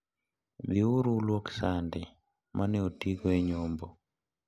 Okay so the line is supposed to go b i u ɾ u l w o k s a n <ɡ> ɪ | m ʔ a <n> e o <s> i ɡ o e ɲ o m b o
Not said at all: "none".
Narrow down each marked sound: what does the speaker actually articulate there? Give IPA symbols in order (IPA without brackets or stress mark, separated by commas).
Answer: d, n, t